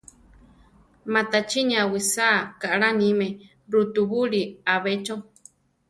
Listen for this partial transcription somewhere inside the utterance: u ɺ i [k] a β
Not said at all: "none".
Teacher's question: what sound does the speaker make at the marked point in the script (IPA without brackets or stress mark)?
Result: none